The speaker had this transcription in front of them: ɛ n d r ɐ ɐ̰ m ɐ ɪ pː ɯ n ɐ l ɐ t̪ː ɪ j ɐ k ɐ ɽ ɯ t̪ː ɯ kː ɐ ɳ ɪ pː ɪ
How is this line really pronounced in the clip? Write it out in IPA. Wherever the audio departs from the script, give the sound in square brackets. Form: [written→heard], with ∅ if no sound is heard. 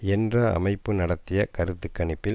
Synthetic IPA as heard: ɛ n d r ɐ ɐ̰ m ɐ ɪ pː ɯ n ɐ [l→ɽ] ɐ t̪ː ɪ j ɐ k ɐ [ɽ→ɾ] ɯ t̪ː ɯ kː ɐ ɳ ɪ pː ɪ

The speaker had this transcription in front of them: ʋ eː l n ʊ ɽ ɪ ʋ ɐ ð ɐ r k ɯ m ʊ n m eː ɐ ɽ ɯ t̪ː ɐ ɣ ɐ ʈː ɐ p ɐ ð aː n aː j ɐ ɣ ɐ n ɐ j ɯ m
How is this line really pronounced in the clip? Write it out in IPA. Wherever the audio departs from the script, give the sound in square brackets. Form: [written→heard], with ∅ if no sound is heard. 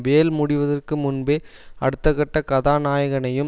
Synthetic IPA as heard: ʋ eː l [n→m] ʊ ɽ ɪ ʋ ɐ ð ɐ r k ɯ m ʊ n [m→b] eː ɐ ɽ ɯ t̪ː ɐ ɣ ɐ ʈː ɐ [p→k] ɐ ð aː n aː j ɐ ɣ ɐ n ɐ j ɯ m

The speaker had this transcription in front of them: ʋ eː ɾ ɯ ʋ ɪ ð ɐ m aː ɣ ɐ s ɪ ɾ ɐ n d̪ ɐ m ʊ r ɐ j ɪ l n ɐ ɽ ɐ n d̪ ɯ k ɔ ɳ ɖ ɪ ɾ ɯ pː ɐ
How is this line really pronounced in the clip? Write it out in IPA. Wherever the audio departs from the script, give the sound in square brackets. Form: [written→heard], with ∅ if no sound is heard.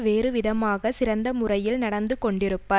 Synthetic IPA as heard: ʋ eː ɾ ɯ ʋ ɪ ð ɐ m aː ɣ ɐ s ɪ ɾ ɐ n d̪ ɐ m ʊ r ɐ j ɪ l n ɐ ɽ ɐ n d̪ ɯ k ɔ ɳ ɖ ɪ ɾ ɯ pː ɐ

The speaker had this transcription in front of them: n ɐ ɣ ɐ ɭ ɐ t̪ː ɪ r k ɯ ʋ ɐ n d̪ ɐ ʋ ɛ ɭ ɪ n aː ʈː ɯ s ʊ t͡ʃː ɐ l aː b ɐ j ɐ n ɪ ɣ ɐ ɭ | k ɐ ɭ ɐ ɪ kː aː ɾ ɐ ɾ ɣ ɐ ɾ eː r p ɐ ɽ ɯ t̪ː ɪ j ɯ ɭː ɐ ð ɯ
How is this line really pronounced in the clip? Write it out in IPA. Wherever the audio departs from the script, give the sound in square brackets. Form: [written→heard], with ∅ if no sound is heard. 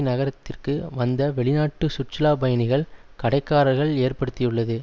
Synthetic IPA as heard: n ɐ ɣ ɐ [ɭ→ɾ] ɐ t̪ː ɪ r k ɯ ʋ ɐ n d̪ ɐ ʋ ɛ ɭ ɪ n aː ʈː ɯ s ʊ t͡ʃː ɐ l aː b ɐ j ɐ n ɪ ɣ ɐ ɭ | k ɐ [ɭ→ɽ] ɐ ɪ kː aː ɾ ɐ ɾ ɣ ɐ [ɾ→ɭ] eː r p ɐ ɽ ɯ t̪ː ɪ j ɯ ɭː ɐ ð ɯ

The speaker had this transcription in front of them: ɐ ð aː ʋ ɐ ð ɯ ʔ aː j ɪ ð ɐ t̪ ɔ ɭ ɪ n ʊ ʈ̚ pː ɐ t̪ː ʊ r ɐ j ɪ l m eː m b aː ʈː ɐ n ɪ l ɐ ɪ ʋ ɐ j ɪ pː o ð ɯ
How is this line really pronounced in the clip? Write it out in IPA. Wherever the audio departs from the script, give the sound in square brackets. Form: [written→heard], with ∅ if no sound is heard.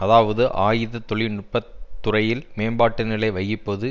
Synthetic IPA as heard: ɐ ð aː ʋ ɐ ð ɯ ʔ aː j ɪ ð ɐ t̪ ɔ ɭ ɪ n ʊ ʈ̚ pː ɐ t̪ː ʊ r ɐ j ɪ l m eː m b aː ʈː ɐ n ɪ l ɐ ɪ ʋ ɐ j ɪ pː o ð ɯ

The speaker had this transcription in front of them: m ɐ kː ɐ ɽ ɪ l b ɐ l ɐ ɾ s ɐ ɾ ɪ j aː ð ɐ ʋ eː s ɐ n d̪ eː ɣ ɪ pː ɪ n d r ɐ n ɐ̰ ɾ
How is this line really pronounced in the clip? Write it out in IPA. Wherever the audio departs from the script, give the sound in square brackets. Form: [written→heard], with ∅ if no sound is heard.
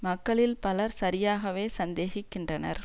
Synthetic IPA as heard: m ɐ kː ɐ [ɽ→ɭ] ɪ l [b→p] ɐ l ɐ ɾ s ɐ ɾ ɪ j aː [ð→ɣ] ɐ ʋ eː s ɐ n d̪ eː ɣ ɪ [pː→kː] ɪ n d r ɐ n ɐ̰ ɾ

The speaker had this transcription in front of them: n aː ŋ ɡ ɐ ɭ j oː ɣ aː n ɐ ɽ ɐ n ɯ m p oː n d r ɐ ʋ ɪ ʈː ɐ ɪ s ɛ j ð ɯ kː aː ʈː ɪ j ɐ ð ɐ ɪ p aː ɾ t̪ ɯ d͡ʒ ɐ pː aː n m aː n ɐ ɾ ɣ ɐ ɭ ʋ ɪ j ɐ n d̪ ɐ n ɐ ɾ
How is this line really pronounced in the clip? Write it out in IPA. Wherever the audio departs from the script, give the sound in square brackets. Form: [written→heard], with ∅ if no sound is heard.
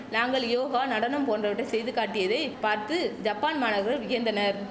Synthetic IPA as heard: n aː ŋ ɡ ɐ ɭ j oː ɣ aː n ɐ ɽ ɐ n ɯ m p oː n d r ɐ ʋ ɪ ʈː ɐ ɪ s ɛ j ð ɯ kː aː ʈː ɪ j ɐ ð ɐ ɪ p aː ɾ t̪ ɯ d͡ʒ ɐ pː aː n m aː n ɐ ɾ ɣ ɐ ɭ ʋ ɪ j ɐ n d̪ ɐ n ɐ ɾ

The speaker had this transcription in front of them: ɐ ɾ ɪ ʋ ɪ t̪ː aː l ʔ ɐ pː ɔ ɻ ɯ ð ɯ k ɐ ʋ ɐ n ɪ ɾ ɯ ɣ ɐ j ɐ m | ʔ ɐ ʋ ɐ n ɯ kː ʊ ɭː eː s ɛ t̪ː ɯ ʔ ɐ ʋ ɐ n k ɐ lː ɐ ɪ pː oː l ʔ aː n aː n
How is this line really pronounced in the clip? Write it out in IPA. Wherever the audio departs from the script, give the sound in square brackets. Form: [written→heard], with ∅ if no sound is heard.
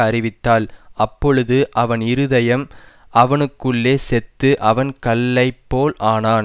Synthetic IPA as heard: ɐ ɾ ɪ ʋ ɪ t̪ː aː l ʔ ɐ pː ɔ ɻ ɯ ð ɯ [k→ʔ] ɐ ʋ ɐ n ɪ ɾ ɯ [ɣ→ð] ɐ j ɐ m | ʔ ɐ ʋ ɐ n ɯ kː [ʊ→ɯ] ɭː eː s ɛ t̪ː ɯ ʔ ɐ ʋ ɐ n k ɐ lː ɐ ɪ pː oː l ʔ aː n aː n

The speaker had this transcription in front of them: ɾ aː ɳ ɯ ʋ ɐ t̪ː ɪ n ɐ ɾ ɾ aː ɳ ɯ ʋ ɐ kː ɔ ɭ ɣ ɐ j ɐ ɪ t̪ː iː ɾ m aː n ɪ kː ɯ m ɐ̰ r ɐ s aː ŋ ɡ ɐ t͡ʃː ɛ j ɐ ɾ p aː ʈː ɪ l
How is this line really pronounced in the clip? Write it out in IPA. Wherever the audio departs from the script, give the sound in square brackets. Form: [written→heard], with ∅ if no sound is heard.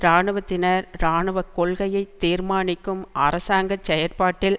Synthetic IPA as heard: ɾ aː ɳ ɯ ʋ ɐ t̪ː ɪ n ɐ ɾ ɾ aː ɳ ɯ ʋ ɐ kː ɔ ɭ ɣ ɐ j ɐ ɪ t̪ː iː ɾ m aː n ɪ kː ɯ m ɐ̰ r ɐ s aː ŋ ɡ ɐ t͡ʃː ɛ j ɐ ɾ p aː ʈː ɪ l

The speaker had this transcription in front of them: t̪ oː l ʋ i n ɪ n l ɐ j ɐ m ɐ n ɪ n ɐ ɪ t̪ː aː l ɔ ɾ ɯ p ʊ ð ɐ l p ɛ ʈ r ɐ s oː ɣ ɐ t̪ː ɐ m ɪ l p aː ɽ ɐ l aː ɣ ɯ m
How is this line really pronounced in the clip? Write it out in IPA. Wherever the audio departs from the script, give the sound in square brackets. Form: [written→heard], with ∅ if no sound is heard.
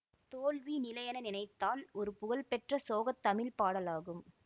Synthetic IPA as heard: t̪ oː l ʋ i n ɪ [n→∅] l ɐ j ɐ [m→n] ɐ n ɪ n ɐ ɪ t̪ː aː l ɔ ɾ ɯ p ʊ [ð→ɣ] ɐ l p ɛ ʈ r ɐ s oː ɣ ɐ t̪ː ɐ m ɪ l p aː ɽ ɐ l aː ɣ ɯ m

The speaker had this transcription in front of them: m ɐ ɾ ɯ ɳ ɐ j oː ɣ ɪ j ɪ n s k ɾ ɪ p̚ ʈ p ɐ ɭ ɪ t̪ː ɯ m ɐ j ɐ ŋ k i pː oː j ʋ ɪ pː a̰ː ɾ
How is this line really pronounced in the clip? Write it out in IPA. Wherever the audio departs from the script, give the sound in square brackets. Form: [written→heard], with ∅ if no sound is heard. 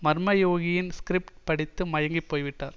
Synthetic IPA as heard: m ɐ ɾ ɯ [ɳ→m] ɐ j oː ɣ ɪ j ɪ n s k ɾ ɪ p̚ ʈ p ɐ [ɭ→ɽ] ɪ t̪ː ɯ m ɐ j ɐ ŋ [k→ɡ] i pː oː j ʋ ɪ [pː→ʈː] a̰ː ɾ

